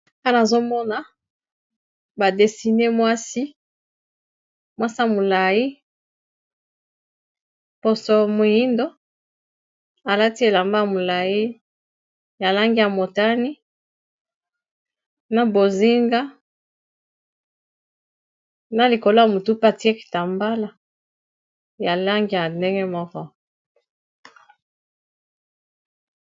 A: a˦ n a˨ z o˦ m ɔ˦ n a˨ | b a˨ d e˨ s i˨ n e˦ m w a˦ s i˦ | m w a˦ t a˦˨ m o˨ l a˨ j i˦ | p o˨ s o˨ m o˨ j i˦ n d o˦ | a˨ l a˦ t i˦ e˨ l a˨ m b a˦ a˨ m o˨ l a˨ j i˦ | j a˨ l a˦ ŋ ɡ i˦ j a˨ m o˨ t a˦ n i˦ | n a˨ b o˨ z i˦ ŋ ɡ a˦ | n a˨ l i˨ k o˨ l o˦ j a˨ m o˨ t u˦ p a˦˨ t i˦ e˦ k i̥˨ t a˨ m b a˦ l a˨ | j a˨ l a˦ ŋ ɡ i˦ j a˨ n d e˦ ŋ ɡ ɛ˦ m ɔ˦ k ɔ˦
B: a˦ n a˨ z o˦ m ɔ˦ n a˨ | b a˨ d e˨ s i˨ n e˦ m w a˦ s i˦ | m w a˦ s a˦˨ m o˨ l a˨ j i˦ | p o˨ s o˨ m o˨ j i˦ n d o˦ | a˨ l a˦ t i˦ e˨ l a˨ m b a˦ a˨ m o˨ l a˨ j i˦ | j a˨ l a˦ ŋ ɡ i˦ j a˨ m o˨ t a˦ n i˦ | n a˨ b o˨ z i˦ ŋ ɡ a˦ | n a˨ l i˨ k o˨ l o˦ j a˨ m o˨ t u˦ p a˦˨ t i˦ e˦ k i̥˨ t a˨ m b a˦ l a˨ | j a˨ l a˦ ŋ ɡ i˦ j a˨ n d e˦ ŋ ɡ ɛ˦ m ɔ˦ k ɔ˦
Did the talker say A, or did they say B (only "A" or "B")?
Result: B